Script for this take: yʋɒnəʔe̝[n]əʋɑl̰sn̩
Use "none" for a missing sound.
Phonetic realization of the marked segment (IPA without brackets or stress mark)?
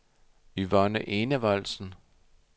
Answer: n